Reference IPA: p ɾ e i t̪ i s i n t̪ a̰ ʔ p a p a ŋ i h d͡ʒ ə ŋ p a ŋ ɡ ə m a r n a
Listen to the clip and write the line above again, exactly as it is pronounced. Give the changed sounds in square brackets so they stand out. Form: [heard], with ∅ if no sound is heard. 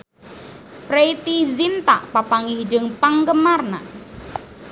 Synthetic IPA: p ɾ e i t̪ i [z] i n t̪ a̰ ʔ p a p a ŋ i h d͡ʒ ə ŋ p a ŋ ɡ ə m a r n a